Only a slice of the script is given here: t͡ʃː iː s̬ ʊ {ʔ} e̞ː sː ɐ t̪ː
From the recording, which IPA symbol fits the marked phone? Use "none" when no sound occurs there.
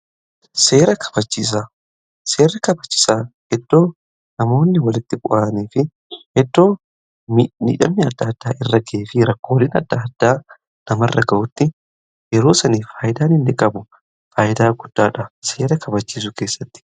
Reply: k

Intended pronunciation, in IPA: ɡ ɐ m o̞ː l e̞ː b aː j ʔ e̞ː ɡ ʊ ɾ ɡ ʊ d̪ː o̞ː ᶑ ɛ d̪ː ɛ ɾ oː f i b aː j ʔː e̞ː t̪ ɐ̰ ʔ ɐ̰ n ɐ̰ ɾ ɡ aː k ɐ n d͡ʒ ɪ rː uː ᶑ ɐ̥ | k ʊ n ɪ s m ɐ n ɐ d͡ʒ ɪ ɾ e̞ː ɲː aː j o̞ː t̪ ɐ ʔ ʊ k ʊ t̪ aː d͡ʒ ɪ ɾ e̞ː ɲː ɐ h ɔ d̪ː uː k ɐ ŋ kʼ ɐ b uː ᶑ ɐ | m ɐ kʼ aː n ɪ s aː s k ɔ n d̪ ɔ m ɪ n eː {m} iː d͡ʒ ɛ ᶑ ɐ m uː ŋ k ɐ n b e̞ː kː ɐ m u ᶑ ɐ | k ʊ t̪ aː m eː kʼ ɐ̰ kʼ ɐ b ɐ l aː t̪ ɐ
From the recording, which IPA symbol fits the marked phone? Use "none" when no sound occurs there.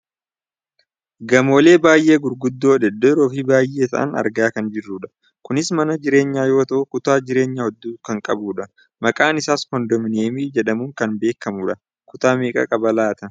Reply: m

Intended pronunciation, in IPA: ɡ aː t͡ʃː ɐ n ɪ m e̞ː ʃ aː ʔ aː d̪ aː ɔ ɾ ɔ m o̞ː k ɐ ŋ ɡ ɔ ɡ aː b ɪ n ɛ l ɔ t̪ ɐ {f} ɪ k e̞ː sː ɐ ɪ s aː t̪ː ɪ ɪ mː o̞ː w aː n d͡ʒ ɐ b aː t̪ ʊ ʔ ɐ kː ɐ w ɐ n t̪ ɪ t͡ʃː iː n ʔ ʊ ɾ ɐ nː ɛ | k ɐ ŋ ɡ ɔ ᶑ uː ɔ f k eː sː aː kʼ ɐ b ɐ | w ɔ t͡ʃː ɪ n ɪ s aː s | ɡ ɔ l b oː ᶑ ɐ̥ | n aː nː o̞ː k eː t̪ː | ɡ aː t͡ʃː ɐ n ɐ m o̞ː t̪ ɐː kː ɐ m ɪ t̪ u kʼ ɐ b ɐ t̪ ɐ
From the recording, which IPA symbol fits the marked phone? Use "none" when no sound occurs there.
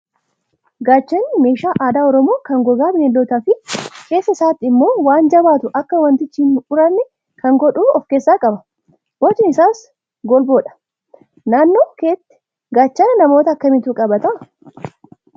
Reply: f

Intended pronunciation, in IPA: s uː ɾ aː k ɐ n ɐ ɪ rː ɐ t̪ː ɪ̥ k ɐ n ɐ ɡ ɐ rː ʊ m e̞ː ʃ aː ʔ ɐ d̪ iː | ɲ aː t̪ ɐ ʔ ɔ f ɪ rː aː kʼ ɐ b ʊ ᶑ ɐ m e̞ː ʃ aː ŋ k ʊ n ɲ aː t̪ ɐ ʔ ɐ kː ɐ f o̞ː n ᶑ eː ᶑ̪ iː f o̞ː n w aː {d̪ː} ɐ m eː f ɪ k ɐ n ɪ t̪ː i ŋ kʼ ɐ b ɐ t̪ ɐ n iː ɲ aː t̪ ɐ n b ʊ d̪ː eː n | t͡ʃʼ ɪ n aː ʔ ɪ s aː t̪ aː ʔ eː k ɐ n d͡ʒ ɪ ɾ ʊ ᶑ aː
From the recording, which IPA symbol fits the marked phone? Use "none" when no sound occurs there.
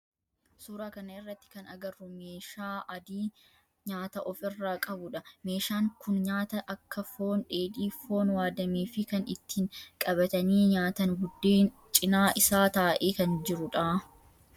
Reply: d̪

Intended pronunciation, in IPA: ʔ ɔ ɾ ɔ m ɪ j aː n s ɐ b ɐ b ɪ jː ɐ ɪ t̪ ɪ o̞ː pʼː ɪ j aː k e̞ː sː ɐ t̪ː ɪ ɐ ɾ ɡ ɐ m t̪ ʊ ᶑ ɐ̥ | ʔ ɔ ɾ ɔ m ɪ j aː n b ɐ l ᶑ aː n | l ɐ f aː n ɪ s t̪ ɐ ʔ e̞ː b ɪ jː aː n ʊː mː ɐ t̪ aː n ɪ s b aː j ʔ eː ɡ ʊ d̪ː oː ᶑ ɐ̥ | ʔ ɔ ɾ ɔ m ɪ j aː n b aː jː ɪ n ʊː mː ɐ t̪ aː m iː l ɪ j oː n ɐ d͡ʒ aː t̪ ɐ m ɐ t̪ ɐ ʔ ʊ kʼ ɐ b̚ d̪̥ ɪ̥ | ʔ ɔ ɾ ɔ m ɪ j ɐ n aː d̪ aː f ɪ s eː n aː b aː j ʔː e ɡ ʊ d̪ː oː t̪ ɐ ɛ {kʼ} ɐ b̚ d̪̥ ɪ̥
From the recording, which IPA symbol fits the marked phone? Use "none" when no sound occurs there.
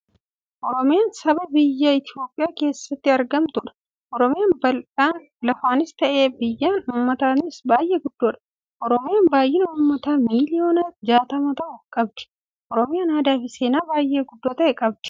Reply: kʼ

